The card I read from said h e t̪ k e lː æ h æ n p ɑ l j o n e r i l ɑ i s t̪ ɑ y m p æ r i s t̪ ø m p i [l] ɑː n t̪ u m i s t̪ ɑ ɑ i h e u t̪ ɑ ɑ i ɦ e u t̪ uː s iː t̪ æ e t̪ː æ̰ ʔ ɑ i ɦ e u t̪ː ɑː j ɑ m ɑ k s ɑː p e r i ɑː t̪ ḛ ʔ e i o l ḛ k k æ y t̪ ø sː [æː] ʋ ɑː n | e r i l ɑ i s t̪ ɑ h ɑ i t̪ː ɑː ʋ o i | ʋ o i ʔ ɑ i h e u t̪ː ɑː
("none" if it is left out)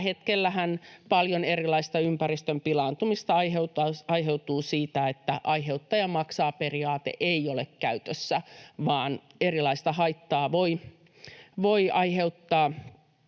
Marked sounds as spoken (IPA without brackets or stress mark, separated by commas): l, æ